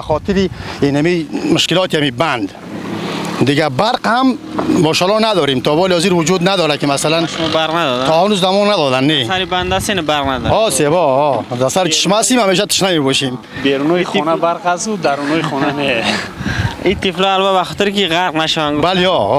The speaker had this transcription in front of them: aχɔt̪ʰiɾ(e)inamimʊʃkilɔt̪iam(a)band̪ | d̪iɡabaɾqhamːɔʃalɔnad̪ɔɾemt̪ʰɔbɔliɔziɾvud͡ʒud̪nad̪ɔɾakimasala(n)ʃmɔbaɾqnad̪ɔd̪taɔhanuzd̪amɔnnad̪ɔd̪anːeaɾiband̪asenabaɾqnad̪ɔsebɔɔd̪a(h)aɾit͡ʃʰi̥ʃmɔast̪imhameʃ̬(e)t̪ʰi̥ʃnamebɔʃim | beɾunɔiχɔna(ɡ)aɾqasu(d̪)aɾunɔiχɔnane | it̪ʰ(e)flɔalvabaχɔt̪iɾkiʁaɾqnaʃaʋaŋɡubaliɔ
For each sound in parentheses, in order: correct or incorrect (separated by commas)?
incorrect, incorrect, correct, incorrect, incorrect, incorrect, correct, incorrect